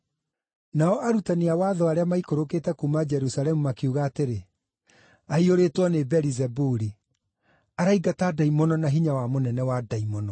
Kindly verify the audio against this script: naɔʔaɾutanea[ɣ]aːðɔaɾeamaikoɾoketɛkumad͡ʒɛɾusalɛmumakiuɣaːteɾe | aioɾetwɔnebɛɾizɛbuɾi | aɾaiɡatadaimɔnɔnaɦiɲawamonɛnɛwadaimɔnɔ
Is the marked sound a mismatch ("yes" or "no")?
yes